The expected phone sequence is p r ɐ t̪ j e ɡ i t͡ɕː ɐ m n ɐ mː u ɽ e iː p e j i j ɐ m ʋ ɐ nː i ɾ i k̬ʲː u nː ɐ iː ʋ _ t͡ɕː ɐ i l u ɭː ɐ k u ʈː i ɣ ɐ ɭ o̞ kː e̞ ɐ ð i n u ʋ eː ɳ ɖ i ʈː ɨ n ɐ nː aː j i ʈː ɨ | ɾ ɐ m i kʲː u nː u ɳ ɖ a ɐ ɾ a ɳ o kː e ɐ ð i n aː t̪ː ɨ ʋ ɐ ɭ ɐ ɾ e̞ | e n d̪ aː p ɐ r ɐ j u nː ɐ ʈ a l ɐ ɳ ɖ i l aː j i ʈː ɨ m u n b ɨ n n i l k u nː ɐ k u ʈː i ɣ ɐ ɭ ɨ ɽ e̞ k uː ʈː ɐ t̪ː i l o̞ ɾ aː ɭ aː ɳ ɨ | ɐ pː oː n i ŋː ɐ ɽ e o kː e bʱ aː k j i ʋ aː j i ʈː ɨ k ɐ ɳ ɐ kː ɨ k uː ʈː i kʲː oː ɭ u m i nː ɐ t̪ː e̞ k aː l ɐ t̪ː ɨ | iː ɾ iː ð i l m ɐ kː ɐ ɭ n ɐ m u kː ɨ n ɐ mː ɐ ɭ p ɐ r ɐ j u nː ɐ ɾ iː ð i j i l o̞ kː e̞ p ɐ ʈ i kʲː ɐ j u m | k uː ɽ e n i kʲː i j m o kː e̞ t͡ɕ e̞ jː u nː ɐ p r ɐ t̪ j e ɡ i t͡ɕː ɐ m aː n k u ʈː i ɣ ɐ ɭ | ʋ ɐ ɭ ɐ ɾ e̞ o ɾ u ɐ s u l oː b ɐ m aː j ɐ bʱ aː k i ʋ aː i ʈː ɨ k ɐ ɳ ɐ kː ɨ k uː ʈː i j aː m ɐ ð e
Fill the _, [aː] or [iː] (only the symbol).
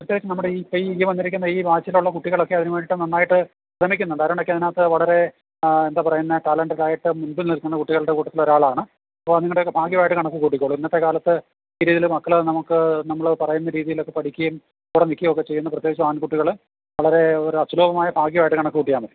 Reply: aː